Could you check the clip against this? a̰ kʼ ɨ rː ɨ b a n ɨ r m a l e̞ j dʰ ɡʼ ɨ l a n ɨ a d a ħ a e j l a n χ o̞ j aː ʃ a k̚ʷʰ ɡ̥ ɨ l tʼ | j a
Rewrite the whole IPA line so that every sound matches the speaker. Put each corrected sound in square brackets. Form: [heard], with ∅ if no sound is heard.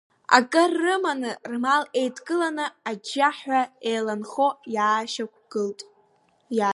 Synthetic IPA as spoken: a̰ kʼ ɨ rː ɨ [m] a n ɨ r m a l e̞ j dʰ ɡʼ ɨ l a n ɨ a [d͡ʒ] a ħ a e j l a n χ o̞ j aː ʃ a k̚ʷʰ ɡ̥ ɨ l tʼ | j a